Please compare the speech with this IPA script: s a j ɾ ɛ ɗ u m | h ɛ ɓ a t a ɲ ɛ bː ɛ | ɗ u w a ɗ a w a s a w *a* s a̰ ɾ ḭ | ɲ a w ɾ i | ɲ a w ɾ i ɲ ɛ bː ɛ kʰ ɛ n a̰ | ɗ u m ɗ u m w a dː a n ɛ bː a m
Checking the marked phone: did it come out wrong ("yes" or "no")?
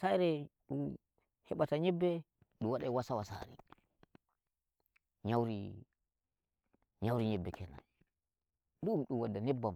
no